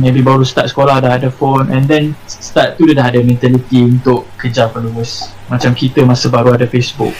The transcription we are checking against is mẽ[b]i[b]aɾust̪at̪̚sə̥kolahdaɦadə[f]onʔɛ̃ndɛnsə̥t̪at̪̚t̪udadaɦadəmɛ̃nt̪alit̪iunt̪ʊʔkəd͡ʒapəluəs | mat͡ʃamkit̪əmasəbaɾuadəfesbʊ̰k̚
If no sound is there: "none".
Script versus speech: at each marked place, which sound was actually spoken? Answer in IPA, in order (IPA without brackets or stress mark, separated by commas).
b, b, f